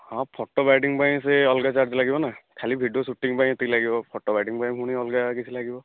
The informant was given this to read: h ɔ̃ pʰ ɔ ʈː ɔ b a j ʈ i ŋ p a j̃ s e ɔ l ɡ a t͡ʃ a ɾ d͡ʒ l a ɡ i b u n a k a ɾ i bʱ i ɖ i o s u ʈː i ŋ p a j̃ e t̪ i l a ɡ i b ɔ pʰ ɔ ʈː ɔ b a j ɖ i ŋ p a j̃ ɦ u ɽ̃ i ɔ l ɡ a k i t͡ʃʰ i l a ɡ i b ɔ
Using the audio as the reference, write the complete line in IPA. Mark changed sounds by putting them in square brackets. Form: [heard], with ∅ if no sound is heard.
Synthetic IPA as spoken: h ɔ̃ pʰ ɔ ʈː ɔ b a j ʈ i ŋ p a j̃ s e ɔ l ɡ a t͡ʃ a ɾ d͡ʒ l a ɡ i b [ɔ] n a [kʰ] a [l] i bʱ i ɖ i o s u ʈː i ŋ p a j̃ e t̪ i l a ɡ i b ɔ pʰ ɔ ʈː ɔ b a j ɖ i ŋ p a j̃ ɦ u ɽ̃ i ɔ l ɡ a k i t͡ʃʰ i l a ɡ i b ɔ

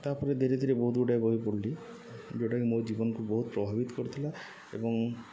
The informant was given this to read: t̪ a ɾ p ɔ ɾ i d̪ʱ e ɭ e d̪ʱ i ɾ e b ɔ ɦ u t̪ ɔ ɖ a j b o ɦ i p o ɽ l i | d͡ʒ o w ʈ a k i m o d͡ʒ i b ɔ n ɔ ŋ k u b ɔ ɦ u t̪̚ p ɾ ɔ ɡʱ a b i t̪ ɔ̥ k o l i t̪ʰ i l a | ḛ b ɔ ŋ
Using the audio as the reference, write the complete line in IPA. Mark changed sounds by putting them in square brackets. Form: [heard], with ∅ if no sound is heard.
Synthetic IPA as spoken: t̪ a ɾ p ɔ ɾ [e] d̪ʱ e [ɾ] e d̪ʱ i ɾ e b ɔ ɦ u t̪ [u] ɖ a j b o ɦ i p o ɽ l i | d͡ʒ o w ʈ a k i m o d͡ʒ i b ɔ n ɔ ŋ k u b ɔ ɦ u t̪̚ p ɾ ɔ [bʱ] a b i t̪ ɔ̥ k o [ɾ] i t̪ʰ i l a | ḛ b ɔ ŋ

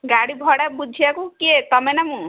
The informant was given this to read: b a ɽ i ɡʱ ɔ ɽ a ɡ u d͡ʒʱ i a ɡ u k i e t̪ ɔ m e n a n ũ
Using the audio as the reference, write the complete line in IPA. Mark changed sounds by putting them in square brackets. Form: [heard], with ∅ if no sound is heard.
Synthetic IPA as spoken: [ɡ] a ɽ i [bʱ] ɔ ɽ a [b] u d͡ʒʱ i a [k] u k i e t̪ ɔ m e n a [m] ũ

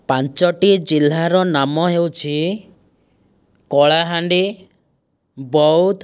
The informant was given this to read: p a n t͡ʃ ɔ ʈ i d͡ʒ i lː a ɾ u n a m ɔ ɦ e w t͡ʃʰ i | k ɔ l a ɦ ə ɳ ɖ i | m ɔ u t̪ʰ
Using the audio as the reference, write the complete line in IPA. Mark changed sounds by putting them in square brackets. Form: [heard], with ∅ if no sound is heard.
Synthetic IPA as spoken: p a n t͡ʃ ɔ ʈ i d͡ʒ i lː a ɾ [ɔ] n a m ɔ ɦ e w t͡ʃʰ i | k ɔ [ɭ] a ɦ [a] ɳ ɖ i | [b] ɔ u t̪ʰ

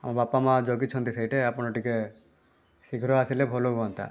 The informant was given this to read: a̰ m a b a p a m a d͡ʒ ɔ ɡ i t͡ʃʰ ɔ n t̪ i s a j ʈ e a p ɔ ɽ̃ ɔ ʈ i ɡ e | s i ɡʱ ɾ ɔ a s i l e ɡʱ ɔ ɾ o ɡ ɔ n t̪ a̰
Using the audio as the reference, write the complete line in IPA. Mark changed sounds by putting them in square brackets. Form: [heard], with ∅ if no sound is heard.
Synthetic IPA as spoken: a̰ m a b a p a m a d͡ʒ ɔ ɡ i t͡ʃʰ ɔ n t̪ i s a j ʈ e a p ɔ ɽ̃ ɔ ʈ i [k] e | s i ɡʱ ɾ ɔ a s i l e [bʱ] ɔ [l] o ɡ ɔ n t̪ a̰

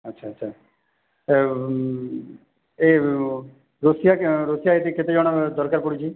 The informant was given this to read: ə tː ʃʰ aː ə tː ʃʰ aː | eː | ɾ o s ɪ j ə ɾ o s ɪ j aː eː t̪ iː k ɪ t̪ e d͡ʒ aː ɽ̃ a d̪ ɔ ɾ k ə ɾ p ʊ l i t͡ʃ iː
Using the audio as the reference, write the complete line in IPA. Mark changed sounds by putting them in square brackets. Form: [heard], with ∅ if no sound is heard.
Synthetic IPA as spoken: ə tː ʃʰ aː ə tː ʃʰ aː | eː | ɾ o s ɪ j [a] ɾ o s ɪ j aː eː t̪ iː k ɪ t̪ e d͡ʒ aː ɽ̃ a d̪ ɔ ɾ k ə ɾ p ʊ [ɽ] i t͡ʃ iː

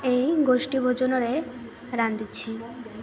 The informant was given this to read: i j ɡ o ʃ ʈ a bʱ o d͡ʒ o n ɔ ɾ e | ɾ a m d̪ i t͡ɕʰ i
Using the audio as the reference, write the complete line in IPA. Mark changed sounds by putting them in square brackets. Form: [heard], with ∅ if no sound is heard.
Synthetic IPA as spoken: [e] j ɡ o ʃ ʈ [i] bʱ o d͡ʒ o n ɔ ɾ e | ɾ a [n] d̪ i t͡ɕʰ i

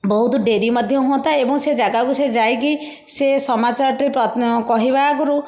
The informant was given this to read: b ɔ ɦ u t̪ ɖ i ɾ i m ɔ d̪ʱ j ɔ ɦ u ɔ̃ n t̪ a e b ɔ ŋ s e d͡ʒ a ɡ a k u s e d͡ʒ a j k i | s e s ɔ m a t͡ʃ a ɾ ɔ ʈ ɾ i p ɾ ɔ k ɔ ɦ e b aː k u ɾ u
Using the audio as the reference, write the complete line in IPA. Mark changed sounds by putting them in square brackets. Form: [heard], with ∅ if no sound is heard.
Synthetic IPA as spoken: b ɔ ɦ u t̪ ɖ [e] ɾ i m ɔ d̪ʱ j ɔ ɦ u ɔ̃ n t̪ a e b ɔ ŋ s e d͡ʒ a ɡ a k u s e d͡ʒ a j k i | s e s ɔ m a t͡ʃ a ɾ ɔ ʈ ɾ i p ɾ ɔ k ɔ ɦ [i] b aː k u ɾ u

